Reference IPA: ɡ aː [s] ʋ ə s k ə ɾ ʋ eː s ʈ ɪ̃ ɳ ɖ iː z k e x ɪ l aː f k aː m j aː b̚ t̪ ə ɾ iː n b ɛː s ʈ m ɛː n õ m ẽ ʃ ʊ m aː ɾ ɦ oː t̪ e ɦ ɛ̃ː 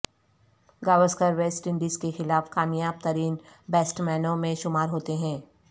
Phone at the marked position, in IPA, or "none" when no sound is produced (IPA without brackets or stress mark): none